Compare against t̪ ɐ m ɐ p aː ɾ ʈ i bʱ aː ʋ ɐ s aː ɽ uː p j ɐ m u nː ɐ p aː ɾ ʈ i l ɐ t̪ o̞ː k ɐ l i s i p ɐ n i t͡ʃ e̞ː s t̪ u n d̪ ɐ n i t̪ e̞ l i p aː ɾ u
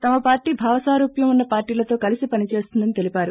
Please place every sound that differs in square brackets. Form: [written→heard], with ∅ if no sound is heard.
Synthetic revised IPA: t̪ ɐ m ɐ p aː ɾ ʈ [i→iː] bʱ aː ʋ ɐ s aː [ɽ→ɾ] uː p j ɐ m u nː ɐ p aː ɾ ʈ [i→iː] l ɐ t̪ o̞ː k ɐ l i s i p ɐ n i t͡ʃ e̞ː s t̪ u n d̪ ɐ n i t̪ e̞ l i p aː ɾ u